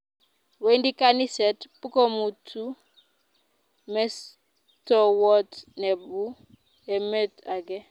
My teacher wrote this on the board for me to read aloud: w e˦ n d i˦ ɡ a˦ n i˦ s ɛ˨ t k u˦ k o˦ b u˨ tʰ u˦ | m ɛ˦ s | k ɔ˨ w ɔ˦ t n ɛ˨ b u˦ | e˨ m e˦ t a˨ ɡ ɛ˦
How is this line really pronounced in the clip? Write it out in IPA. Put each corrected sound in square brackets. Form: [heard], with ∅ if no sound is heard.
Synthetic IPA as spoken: w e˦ n d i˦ [k] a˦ n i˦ s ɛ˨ t [p] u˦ k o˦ [m] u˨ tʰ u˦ | m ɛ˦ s | [t] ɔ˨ w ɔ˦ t n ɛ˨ b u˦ | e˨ m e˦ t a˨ ɡ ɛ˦

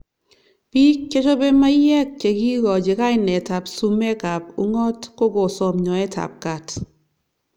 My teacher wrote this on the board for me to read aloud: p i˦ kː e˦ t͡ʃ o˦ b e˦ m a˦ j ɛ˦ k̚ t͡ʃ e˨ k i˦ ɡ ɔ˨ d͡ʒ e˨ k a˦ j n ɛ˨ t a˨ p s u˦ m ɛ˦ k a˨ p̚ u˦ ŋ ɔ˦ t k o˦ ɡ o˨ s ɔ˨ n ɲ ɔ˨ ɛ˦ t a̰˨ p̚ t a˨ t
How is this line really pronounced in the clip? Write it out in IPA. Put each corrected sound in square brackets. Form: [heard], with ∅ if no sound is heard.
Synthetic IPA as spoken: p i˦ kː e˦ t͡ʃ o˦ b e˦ m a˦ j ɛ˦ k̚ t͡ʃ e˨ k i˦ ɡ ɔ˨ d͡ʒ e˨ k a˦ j n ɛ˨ t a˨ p s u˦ m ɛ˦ k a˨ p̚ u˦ ŋ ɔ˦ t k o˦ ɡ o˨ s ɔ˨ [m] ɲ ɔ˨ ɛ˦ t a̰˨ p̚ [k] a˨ t

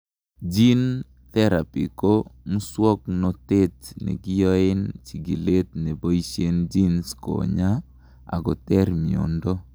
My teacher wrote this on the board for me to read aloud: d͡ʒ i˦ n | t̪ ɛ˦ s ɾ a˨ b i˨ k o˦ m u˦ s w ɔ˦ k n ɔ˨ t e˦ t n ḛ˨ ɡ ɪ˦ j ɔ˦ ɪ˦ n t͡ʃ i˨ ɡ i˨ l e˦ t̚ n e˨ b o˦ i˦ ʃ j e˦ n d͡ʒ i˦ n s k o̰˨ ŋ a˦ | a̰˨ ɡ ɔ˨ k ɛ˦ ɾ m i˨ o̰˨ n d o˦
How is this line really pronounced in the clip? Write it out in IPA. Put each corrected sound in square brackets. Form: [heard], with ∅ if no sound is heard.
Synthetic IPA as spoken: d͡ʒ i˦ n | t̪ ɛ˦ [∅] ɾ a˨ [p] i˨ k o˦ m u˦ s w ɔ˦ k n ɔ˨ t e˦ t n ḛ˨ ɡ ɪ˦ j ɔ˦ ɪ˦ n t͡ʃ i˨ ɡ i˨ l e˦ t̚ n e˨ b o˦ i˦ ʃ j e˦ n d͡ʒ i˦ n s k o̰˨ [ɲ] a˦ | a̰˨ ɡ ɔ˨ [t] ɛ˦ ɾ m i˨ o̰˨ n d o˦

